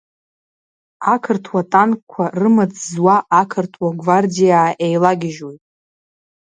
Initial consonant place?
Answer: velar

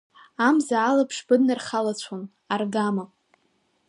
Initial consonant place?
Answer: labial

